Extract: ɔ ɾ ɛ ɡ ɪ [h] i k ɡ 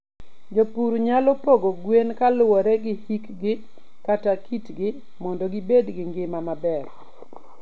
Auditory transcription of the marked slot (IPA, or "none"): h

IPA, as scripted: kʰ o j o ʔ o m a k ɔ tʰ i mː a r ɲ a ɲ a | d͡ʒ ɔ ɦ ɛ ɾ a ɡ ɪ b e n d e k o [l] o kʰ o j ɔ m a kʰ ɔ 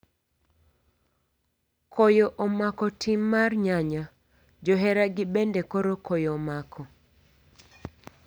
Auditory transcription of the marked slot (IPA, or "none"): ɾ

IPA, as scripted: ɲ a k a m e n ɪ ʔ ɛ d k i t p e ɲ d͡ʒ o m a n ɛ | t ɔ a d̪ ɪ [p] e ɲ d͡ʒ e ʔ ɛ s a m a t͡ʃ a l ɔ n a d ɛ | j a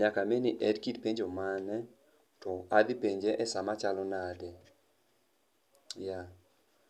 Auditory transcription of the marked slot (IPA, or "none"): p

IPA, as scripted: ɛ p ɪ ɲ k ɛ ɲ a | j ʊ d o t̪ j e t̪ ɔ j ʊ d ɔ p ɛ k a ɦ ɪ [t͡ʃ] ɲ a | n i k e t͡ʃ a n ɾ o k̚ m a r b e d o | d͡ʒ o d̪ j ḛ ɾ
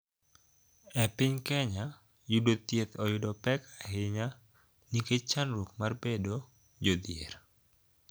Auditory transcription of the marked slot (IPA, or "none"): none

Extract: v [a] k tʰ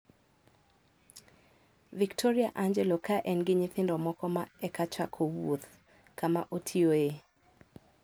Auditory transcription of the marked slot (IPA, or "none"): i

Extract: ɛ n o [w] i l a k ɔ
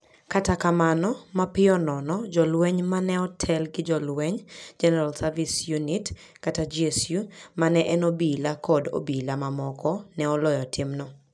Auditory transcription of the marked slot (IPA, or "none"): b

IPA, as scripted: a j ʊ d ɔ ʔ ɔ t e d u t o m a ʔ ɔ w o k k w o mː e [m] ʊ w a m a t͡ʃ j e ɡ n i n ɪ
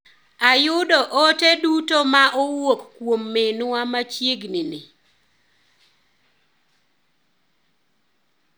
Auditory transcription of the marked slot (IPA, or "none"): n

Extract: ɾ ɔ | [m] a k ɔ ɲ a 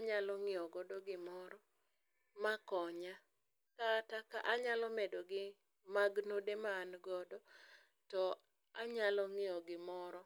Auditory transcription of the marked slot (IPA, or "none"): m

